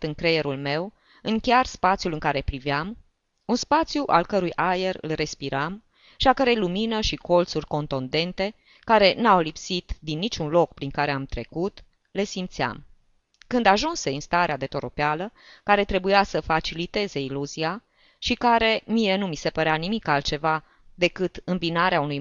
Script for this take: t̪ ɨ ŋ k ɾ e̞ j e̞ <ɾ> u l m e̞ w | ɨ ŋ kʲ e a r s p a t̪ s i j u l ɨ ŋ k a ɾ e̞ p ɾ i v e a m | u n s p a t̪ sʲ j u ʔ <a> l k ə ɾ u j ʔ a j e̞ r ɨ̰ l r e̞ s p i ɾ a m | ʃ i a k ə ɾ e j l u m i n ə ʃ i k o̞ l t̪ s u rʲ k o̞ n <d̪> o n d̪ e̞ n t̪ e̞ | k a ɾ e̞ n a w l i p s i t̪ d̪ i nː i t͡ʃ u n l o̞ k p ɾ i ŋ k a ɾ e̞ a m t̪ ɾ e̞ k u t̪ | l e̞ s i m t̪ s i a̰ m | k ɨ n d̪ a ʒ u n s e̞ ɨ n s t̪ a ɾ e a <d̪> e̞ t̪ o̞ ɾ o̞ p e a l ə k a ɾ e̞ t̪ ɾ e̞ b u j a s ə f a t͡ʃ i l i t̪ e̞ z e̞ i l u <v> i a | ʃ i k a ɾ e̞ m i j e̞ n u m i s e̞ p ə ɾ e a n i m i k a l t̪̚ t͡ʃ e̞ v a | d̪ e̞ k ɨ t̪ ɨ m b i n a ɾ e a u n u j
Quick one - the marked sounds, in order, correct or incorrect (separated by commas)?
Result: correct, correct, incorrect, correct, incorrect